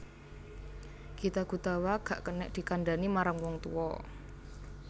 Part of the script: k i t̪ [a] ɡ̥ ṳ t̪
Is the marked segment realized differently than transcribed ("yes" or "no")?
no